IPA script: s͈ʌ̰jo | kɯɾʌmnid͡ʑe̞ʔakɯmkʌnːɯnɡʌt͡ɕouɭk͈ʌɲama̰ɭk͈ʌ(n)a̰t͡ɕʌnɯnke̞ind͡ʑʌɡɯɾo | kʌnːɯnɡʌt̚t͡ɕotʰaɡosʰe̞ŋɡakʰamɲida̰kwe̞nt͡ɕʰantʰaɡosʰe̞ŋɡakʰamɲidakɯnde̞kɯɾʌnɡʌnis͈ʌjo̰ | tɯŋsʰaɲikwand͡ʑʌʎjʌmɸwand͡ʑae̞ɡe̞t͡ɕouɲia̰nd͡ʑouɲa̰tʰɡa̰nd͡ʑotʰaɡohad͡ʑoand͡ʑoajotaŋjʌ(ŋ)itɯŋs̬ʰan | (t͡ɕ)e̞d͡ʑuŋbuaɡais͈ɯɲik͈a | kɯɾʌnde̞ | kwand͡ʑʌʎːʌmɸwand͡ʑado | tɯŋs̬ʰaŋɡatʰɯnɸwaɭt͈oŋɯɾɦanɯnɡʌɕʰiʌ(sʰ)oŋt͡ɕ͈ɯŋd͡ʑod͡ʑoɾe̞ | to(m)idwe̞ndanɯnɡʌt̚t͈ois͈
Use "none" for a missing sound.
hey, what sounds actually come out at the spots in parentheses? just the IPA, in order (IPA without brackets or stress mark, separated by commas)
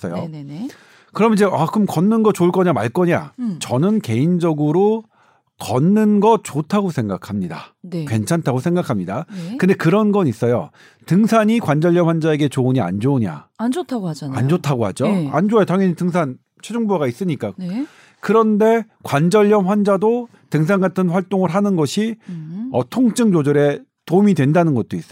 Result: ɲ, ɲ, t͡ɕʰ, tʰ, m